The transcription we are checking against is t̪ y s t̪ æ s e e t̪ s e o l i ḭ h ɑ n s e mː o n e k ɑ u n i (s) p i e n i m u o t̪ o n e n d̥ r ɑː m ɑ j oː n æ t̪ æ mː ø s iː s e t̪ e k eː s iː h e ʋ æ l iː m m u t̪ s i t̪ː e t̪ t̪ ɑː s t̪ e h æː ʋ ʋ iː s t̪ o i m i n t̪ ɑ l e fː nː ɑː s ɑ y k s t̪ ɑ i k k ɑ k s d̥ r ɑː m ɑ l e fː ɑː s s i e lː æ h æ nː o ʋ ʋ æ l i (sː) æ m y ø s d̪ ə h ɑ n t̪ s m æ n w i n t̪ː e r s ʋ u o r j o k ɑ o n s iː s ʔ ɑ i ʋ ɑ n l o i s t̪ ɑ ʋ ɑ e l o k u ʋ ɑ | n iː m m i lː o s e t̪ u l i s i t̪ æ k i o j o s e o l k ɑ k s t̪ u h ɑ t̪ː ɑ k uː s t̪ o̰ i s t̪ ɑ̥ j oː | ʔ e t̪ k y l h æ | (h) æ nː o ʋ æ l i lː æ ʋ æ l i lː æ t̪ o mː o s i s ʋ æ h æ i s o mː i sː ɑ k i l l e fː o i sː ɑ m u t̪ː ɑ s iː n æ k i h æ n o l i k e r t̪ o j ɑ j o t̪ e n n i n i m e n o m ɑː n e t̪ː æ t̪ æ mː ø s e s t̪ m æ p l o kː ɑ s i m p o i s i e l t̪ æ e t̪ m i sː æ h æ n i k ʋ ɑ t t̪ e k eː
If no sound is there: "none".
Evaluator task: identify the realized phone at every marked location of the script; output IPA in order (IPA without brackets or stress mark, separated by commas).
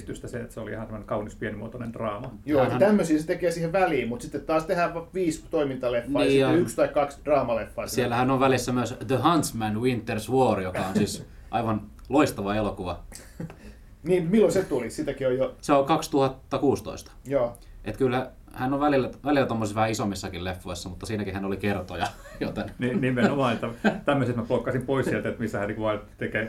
s, sː, h